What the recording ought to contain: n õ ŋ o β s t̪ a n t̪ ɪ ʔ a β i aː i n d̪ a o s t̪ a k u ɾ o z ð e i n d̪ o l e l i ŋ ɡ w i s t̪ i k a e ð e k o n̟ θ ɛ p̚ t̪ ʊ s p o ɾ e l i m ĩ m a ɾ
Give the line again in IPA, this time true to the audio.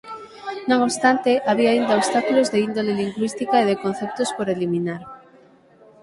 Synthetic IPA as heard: n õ ŋ o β s t̪ a n t̪ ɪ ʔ a β i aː i n d̪ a o s t̪ a k u l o z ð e i n d̪ o l e l i ŋ ɡ w i s t̪ i k a e ð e k o n̟ θ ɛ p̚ t̪ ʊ s p o ɾ e l i m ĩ n a ɾ